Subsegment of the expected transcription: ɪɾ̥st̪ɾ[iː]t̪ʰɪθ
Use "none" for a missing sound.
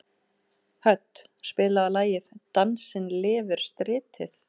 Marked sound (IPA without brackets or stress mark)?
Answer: ɪː